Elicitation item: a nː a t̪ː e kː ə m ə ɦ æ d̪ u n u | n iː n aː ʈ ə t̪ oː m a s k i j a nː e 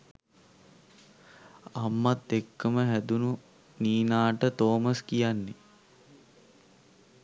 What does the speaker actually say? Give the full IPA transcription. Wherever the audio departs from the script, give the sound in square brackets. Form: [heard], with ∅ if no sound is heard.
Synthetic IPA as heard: a [mː] a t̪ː e kː ə m ə ɦ æ d̪ u n u | n iː n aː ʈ ə t̪ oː m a s k i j a nː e